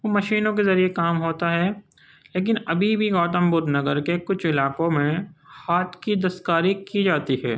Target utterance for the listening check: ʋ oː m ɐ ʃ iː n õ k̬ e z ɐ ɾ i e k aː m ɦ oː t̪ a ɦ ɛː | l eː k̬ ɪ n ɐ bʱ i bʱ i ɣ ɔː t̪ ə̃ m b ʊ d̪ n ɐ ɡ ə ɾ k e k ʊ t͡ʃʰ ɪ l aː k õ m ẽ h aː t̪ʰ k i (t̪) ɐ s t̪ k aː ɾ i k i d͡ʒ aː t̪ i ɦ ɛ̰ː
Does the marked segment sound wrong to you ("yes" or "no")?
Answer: yes